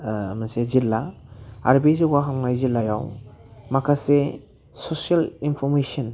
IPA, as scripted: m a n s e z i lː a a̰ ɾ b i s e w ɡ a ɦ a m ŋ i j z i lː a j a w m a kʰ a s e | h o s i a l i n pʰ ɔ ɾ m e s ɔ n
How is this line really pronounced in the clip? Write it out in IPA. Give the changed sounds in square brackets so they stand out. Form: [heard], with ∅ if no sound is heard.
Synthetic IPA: m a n s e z i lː a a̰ ɾ b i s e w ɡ a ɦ a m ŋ [a] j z i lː a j a w m a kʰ a s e | [s] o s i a l i n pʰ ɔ ɾ m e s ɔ n